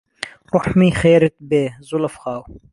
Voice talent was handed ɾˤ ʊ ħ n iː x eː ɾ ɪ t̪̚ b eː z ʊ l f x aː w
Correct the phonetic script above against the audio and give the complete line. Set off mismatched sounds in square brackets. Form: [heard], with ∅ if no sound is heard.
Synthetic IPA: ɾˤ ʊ ħ [m] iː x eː ɾ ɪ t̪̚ b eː z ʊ l f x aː w